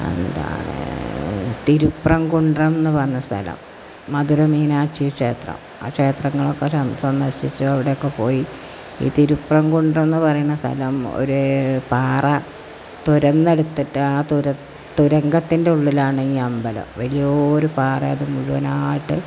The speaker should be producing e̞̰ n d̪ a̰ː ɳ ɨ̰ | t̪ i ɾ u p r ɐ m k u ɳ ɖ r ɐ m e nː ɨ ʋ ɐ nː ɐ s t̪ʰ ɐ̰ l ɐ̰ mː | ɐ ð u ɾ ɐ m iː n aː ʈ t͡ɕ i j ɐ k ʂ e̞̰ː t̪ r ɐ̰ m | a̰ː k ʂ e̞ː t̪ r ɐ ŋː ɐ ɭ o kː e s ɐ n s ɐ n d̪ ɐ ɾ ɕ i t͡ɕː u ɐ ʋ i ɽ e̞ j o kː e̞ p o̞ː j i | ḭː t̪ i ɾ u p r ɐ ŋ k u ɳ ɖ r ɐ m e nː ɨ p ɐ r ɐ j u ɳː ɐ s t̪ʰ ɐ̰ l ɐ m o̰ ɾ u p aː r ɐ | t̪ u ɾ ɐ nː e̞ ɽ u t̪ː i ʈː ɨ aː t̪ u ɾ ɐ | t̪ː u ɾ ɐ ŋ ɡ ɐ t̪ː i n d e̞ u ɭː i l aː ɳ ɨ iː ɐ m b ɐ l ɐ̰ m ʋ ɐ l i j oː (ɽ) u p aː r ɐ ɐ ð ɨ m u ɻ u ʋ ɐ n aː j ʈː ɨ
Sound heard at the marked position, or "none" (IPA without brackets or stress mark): ɾ